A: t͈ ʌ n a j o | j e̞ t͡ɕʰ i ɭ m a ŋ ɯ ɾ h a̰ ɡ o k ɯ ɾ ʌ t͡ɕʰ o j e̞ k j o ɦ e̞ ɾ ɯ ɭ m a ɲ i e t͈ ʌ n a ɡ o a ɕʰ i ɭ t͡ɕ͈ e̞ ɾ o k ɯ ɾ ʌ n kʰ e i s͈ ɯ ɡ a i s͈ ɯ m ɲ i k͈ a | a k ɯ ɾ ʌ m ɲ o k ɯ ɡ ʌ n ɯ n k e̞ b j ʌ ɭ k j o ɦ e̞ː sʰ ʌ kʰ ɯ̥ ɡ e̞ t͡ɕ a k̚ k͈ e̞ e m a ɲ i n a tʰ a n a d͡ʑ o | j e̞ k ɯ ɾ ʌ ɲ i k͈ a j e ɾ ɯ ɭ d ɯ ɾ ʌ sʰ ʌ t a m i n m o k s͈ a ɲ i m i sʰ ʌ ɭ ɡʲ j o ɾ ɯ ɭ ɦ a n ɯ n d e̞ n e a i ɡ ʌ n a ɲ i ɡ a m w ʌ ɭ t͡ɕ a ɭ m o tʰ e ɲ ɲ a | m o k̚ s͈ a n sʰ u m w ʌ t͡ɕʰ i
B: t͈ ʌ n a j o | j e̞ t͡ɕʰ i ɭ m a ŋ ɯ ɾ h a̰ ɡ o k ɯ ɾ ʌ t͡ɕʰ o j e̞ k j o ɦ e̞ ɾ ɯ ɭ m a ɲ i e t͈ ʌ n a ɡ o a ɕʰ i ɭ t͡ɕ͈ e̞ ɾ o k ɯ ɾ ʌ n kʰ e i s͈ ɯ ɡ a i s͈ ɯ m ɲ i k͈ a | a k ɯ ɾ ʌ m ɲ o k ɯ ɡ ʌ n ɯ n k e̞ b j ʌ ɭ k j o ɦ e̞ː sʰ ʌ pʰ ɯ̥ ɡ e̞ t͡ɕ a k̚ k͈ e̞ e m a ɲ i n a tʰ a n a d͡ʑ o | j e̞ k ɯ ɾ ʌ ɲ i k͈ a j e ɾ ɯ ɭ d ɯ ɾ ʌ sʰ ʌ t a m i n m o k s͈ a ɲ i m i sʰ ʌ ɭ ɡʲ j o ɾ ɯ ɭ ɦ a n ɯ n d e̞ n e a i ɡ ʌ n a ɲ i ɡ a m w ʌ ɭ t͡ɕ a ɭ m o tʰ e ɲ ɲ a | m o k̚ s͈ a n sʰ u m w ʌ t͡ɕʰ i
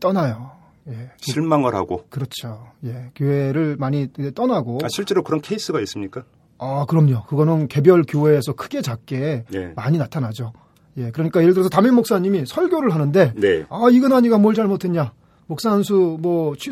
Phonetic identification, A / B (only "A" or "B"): A